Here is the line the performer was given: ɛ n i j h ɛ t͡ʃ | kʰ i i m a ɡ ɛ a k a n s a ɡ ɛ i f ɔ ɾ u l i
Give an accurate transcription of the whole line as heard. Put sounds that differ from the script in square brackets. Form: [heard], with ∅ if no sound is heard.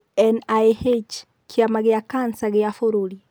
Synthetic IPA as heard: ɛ n [a] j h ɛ t͡ʃ | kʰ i [a] m a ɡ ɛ a k a n s a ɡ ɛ [a] f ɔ ɾ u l i